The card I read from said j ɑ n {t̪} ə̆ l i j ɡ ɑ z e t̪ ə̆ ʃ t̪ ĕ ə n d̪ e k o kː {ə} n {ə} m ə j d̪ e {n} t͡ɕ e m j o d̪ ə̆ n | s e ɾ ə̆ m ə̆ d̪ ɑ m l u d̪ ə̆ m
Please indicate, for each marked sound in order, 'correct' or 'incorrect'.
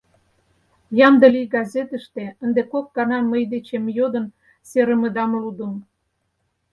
incorrect: d̪, incorrect: ɑ, incorrect: ɑ, incorrect: none

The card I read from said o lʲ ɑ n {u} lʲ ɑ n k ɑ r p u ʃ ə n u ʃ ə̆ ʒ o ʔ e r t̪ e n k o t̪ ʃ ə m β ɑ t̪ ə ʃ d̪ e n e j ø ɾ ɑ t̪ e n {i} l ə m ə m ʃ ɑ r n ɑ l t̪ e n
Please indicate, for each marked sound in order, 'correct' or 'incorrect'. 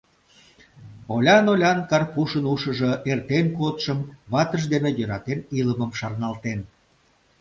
incorrect: o, correct

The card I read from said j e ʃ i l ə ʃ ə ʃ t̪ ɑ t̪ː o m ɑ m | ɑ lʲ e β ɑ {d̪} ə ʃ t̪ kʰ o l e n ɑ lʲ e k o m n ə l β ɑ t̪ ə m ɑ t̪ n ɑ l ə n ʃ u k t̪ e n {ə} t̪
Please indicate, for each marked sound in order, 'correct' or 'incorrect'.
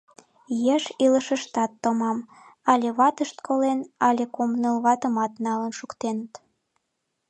incorrect: t̪, correct

